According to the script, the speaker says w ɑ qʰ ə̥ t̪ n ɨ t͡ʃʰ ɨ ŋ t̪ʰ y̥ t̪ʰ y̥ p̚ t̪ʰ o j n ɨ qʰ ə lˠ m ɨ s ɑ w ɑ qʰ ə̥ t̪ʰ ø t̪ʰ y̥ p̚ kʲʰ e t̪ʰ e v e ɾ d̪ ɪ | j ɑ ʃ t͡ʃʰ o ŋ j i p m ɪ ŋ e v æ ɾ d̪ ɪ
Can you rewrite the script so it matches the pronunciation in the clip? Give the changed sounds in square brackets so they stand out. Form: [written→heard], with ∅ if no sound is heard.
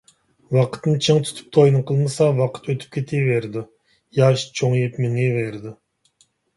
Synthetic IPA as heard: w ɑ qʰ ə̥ t̪ n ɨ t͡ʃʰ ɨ ŋ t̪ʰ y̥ t̪ʰ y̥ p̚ t̪ʰ o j n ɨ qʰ ə lˠ m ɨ s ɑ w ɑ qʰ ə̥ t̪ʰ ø t̪ʰ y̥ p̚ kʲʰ e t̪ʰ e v e ɾ d̪ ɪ | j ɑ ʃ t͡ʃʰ o ŋ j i p m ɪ ŋ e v [æ→e] ɾ d̪ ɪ